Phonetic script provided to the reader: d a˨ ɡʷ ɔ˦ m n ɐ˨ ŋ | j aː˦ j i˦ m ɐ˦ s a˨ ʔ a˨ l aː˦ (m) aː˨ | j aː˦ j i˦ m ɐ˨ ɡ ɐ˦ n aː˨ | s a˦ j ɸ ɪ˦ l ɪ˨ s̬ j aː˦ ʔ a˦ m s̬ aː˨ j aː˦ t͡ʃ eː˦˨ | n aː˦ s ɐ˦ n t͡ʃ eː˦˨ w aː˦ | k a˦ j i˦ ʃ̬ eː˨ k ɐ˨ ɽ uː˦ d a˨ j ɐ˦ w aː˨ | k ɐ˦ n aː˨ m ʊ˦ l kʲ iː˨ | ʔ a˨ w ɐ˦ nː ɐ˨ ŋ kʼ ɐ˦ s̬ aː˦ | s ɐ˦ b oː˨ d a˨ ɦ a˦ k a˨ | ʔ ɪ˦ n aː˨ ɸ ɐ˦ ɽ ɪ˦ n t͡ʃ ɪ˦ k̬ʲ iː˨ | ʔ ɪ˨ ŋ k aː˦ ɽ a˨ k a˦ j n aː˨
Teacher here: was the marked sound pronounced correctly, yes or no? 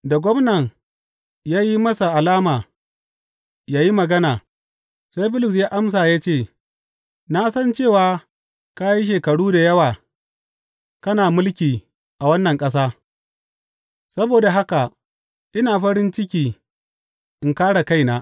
yes